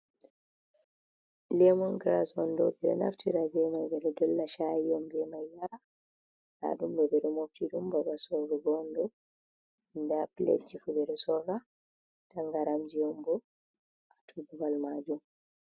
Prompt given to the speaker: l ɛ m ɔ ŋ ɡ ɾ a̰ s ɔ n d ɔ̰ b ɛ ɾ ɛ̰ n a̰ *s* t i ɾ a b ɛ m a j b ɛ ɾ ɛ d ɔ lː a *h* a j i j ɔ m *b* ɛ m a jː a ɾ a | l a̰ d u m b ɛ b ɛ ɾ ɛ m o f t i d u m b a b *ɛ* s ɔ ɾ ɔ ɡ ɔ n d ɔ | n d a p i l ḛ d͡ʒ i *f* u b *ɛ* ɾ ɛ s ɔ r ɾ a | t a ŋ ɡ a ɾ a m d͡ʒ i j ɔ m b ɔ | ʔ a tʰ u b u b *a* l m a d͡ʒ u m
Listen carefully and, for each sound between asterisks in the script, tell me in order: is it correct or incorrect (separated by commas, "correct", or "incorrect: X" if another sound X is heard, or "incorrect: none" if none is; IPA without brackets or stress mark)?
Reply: incorrect: f, incorrect: ʃ, correct, incorrect: a, correct, correct, correct